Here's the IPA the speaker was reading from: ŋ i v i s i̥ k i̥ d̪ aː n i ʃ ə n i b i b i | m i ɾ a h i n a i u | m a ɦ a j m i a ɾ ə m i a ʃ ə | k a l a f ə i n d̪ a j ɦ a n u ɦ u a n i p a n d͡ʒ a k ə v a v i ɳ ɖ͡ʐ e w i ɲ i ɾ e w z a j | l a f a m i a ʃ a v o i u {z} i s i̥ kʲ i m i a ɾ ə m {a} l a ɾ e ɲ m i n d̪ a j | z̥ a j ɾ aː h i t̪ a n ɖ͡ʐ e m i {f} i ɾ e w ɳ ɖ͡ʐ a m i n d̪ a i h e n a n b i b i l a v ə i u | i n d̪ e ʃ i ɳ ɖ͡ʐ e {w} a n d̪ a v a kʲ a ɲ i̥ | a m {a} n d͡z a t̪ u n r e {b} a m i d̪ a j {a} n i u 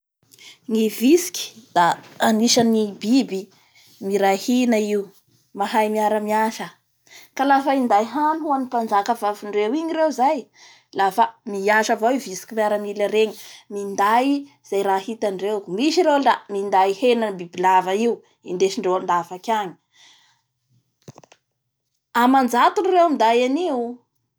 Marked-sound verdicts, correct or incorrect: incorrect: v, incorrect: i, incorrect: ʃ, correct, correct, incorrect: w, correct

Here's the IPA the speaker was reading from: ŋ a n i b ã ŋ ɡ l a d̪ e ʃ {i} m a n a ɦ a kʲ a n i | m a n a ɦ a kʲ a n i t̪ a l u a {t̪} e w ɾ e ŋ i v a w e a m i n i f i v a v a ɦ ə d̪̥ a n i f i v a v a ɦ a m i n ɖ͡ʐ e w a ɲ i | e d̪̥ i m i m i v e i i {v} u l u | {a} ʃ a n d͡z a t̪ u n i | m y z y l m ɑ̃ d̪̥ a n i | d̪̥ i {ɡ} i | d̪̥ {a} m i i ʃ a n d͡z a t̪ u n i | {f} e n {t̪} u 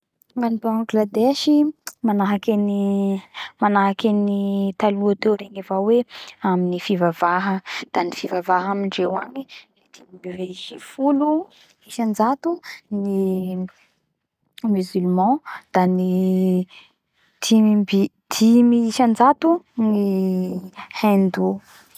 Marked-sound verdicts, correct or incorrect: correct, correct, incorrect: f, incorrect: i, incorrect: b, incorrect: i, incorrect: h, incorrect: d̪

